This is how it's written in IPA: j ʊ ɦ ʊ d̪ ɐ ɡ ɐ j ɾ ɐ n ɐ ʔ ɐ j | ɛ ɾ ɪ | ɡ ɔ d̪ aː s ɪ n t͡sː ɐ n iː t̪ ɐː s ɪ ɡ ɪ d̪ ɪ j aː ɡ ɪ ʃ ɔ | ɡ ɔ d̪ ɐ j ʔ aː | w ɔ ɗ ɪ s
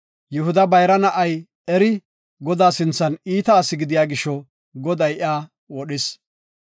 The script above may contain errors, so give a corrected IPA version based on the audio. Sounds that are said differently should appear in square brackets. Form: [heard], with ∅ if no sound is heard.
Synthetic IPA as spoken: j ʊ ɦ ʊ d̪ ɐ [b] ɐ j ɾ ɐ n ɐ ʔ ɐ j | ɛ ɾ ɪ | ɡ ɔ d̪ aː s ɪ n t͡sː ɐ n iː t̪ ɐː s ɪ ɡ ɪ d̪ ɪ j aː ɡ ɪ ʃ ɔ | ɡ ɔ d̪ ɐ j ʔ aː | w ɔ ɗ ɪ s